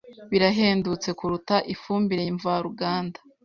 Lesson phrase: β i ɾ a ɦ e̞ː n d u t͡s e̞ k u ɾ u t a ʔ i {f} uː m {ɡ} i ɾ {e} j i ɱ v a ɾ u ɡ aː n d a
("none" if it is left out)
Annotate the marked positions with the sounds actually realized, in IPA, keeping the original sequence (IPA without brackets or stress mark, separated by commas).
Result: f, b, e